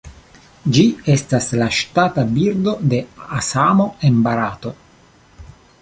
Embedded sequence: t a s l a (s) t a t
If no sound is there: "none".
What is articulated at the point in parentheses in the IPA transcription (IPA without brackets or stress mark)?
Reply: ʃ